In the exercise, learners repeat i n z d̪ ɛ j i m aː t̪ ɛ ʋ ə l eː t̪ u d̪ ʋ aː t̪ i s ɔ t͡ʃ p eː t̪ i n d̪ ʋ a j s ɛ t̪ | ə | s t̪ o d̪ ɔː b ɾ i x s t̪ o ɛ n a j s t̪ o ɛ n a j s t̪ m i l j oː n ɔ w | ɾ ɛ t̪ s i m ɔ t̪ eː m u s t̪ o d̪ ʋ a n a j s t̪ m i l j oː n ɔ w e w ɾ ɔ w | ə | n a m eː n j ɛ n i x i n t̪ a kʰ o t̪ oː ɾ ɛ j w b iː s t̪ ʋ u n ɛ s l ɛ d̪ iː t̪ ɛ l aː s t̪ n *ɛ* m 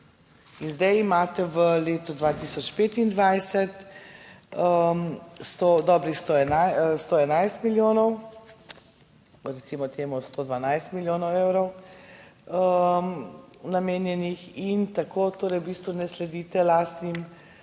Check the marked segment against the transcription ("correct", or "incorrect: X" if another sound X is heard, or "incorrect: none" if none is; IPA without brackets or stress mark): incorrect: i